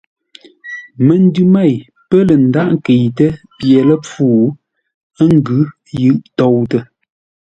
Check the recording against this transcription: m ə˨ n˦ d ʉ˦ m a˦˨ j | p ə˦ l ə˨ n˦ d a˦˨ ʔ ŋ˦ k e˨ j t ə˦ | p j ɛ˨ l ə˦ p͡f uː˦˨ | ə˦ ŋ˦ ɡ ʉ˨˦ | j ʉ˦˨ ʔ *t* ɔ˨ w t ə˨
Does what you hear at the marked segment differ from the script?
no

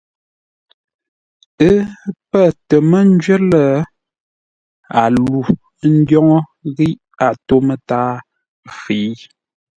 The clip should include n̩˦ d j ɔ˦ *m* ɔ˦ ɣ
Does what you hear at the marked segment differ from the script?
yes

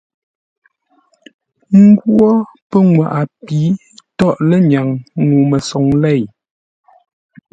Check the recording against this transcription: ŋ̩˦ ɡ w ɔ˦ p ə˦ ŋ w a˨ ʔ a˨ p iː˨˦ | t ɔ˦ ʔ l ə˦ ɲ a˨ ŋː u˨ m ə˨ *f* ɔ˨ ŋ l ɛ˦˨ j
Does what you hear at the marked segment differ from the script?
yes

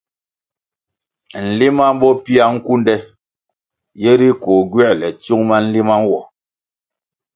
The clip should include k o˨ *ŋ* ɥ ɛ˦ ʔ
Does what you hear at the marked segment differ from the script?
yes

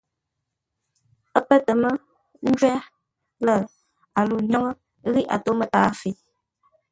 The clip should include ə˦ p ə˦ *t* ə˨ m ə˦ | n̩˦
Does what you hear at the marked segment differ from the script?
no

